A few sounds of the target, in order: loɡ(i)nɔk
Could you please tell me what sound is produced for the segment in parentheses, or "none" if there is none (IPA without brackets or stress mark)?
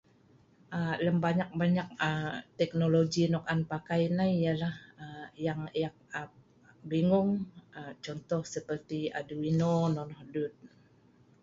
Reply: i